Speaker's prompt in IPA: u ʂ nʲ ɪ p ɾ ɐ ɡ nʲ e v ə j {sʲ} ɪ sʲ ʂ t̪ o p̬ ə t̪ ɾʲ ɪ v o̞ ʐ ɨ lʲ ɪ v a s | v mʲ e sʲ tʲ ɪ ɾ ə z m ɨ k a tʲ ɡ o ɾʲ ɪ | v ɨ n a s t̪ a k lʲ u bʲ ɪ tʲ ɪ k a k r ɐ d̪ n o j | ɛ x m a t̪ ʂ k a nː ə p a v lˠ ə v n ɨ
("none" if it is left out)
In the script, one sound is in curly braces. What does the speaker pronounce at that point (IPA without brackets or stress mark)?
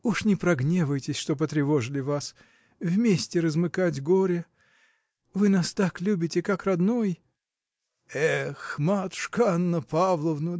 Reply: tʲ